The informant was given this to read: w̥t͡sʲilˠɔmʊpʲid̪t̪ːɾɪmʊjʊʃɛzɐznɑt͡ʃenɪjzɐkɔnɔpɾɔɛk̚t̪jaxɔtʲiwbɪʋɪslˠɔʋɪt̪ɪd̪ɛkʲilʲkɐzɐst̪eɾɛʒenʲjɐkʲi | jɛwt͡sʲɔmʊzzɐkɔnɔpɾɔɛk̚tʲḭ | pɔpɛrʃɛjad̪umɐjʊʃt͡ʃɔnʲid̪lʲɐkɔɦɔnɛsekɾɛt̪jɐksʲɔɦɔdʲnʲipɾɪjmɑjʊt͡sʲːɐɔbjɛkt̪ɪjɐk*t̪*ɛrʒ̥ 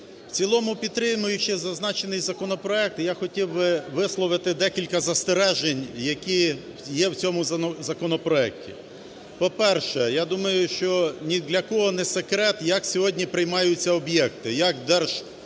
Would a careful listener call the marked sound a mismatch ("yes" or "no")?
yes